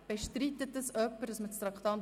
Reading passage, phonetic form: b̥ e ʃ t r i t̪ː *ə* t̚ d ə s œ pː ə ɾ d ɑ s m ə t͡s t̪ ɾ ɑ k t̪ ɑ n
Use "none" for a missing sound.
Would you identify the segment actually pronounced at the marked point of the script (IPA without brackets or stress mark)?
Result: ə